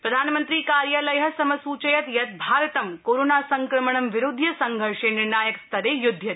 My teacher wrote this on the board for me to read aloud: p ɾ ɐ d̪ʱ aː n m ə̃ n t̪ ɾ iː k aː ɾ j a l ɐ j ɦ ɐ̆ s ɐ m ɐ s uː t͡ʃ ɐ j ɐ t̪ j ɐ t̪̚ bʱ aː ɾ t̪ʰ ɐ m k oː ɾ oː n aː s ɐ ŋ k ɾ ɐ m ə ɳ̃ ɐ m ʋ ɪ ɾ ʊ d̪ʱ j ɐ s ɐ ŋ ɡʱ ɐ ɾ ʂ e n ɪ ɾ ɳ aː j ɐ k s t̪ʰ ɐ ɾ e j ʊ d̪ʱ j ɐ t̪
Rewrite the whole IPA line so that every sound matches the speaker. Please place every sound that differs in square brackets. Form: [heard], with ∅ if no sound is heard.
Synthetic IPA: p ɾ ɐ d̪ʱ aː n m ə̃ n t̪ ɾ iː k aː ɾ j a l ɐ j ɦ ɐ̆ s ɐ m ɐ s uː t͡ʃ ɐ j ɐ t̪ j ɐ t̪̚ bʱ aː ɾ [t̪] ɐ m k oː ɾ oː n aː s ɐ ŋ k ɾ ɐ m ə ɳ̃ ɐ m ʋ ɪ ɾ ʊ d̪ʱ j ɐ s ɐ ŋ ɡʱ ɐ ɾ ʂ e n ɪ ɾ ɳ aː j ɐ k s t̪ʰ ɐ ɾ e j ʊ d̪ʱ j ɐ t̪

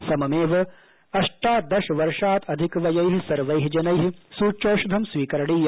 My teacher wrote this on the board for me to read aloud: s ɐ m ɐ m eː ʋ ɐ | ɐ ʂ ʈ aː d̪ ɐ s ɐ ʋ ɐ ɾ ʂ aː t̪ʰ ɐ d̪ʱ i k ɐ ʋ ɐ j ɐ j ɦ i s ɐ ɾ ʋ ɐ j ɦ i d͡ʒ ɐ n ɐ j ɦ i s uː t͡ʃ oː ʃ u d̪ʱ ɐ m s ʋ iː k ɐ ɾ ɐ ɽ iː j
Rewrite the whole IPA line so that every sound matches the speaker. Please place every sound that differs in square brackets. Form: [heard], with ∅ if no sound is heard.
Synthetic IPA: s ɐ m ɐ m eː ʋ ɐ | ɐ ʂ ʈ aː d̪ ɐ [ʃ] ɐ ʋ ɐ ɾ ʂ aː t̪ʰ ɐ d̪ʱ i k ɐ ʋ ɐ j ɐ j ɦ i s ɐ ɾ ʋ ɐ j ɦ i d͡ʒ ɐ n ɐ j ɦ i s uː t͡ʃ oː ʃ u d̪ʱ ɐ m s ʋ iː k ɐ ɾ ɐ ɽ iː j

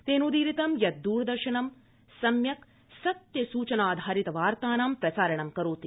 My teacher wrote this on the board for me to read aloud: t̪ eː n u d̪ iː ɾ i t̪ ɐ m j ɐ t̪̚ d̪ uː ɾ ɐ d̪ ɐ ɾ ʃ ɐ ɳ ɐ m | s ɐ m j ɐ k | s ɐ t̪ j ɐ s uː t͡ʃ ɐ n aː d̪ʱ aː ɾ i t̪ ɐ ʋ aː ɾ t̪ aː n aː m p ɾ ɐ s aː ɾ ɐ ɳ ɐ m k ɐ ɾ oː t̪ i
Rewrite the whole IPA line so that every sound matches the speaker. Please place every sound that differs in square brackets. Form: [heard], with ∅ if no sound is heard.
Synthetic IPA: t̪ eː n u d̪ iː ɾ i t̪ ɐ m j ɐ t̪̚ d̪ uː ɾ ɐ d̪ ɐ ɾ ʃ ɐ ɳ ɐ m | s ɐ m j ɐ k | s ɐ t̪ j ɐ s uː t͡ʃ ɐ n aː d̪ʱ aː ɾ i t̪ ɐ ʋ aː ɾ t̪ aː n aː m p ɾ ɐ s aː ɾ ɐ ɳ ɐ m k ɐ ɾ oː t̪ i

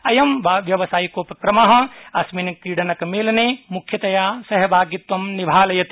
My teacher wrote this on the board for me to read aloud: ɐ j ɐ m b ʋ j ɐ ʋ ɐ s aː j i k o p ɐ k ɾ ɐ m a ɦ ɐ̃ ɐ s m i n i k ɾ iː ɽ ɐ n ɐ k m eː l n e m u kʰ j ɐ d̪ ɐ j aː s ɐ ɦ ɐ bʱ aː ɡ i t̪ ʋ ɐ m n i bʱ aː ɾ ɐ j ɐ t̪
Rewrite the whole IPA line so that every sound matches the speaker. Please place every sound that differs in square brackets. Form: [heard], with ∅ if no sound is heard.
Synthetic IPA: ɐ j ɐ m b ʋ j ɐ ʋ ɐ s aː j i k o p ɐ k ɾ ɐ m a ɦ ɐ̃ ɐ s m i n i k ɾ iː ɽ ɐ n ɐ k m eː l n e m u kʰ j ɐ [t̪] ɐ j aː s ɐ ɦ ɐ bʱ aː ɡ i t̪ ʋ ɐ m n i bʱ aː [l] ɐ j ɐ t̪

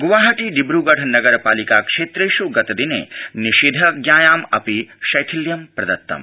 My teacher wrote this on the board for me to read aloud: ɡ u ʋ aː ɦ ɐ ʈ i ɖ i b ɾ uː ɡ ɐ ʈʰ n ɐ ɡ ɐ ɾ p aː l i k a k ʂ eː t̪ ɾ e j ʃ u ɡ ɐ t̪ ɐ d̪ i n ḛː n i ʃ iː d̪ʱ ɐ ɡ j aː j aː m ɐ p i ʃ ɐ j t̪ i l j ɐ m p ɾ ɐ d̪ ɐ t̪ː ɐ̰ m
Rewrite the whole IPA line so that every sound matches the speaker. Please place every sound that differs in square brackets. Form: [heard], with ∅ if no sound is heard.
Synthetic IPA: ɡ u ʋ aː ɦ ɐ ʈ i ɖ i b ɾ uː ɡ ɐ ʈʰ n ɐ ɡ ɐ ɾ p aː l i k a k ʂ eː t̪ ɾ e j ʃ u ɡ ɐ t̪ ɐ d̪ i n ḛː n i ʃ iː d̪ʱ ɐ ɡ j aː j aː m ɐ p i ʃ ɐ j [t̪ʰ] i l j ɐ m p ɾ ɐ d̪ ɐ t̪ː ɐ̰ m

